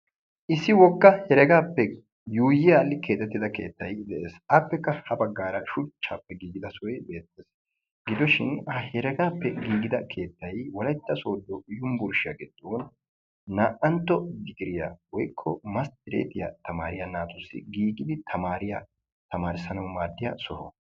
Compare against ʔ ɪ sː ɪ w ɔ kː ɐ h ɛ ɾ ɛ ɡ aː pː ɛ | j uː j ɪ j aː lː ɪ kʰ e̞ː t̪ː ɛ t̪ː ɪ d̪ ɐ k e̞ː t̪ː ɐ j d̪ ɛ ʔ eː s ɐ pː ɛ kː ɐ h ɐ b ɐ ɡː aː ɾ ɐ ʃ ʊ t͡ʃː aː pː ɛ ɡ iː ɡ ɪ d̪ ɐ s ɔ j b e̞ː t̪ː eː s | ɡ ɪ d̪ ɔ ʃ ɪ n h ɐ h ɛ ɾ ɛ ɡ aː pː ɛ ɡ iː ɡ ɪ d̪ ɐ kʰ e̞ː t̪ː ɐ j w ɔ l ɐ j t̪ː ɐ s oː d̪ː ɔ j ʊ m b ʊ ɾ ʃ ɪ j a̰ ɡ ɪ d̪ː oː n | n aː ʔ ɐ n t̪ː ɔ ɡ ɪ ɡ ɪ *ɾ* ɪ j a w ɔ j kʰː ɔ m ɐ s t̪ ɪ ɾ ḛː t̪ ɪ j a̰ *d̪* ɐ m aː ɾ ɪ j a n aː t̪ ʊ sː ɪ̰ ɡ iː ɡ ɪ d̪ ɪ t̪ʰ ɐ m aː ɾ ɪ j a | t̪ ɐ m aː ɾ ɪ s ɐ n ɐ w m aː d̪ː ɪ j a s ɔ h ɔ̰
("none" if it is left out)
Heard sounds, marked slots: ɾ, t̪

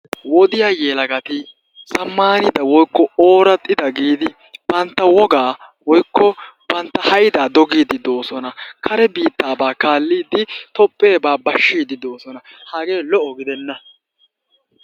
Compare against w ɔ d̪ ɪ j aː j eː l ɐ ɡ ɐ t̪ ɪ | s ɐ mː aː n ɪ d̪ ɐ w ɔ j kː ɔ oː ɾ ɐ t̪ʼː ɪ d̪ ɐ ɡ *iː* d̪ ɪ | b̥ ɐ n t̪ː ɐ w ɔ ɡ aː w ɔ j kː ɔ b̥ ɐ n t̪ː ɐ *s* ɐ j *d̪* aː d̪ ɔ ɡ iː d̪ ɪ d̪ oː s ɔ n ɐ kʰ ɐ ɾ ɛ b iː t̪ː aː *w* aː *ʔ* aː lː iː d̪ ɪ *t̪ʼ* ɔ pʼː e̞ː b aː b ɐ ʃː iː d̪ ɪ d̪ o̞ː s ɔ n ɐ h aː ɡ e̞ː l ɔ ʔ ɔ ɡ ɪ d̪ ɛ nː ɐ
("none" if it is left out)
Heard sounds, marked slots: iː, h, d̪, b, k, t̪

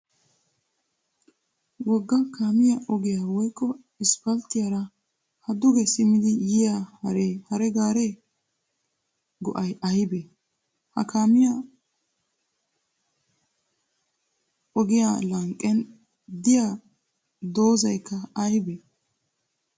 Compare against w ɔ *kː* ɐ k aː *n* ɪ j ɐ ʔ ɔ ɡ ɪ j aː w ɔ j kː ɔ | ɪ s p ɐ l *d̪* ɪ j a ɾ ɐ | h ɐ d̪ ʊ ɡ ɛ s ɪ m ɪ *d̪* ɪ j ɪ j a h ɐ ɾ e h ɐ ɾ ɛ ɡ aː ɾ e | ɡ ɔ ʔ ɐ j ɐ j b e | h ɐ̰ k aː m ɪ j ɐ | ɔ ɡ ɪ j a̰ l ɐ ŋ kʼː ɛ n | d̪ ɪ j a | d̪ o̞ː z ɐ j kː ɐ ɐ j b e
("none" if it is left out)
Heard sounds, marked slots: ɡː, m, t̪, d̪

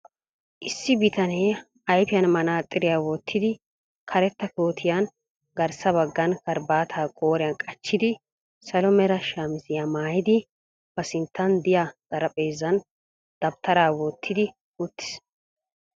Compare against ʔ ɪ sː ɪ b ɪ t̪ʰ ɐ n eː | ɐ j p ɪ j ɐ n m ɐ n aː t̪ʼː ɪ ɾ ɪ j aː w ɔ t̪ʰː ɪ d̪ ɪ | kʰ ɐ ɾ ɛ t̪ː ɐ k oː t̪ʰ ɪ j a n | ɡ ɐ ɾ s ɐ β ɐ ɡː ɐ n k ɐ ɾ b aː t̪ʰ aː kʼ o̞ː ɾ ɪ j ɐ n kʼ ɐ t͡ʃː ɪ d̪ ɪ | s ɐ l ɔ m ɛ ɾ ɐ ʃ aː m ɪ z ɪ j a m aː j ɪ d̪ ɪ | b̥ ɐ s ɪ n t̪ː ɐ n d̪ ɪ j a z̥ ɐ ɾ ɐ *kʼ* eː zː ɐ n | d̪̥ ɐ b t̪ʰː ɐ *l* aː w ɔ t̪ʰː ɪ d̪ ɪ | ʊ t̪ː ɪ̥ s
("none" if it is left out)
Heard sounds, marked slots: pʼ, ɾ

